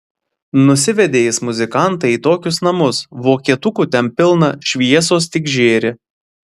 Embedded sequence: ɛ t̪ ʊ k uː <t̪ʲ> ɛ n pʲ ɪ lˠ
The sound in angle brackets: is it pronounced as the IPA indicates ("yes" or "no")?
yes